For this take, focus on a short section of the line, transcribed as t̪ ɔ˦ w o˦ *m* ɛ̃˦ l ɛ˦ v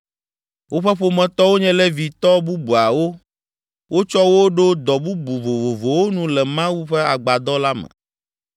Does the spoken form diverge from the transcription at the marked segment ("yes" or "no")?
yes